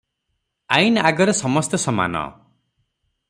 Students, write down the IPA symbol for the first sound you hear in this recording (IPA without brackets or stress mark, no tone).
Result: a